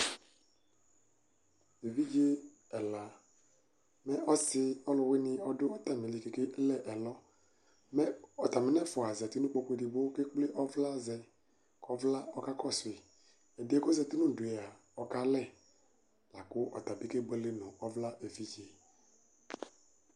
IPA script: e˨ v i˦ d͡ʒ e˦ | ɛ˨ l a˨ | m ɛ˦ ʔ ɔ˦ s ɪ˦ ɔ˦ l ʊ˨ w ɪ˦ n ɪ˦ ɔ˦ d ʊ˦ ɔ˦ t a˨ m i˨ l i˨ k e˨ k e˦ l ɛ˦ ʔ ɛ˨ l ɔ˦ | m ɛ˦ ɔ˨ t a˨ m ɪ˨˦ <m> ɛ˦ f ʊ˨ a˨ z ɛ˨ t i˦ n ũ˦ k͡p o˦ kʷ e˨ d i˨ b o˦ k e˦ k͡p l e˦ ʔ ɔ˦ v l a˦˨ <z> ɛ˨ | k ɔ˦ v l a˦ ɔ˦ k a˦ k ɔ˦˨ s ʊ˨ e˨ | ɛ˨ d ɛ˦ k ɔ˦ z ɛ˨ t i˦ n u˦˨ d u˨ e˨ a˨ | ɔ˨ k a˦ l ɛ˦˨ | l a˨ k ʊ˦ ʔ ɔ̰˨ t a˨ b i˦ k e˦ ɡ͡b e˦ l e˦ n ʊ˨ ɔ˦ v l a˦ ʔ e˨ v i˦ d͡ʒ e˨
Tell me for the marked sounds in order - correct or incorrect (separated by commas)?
incorrect, correct